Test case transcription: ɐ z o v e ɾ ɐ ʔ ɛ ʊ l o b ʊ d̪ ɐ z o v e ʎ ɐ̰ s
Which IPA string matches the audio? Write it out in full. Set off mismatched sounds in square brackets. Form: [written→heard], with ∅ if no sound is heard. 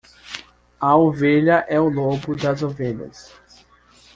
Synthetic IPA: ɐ [z→∅] o v e [ɾ→ʎ] ɐ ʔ ɛ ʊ l o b ʊ d̪ ɐ z o v e ʎ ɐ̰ s